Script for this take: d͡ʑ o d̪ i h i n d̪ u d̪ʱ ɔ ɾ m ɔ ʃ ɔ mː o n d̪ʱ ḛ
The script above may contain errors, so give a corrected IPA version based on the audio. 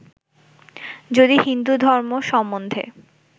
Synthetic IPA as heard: d͡ʑ o d̪ i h i n d̪ u d̪ʱ ɔ ɾ m o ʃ ɔ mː o n d̪ʱ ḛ